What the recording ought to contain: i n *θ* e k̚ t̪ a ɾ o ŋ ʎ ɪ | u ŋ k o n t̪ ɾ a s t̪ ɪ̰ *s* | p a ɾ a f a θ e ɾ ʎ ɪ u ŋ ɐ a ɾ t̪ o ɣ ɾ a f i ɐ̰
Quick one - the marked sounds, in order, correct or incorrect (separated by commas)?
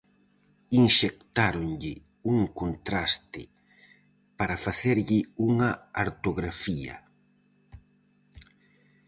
incorrect, incorrect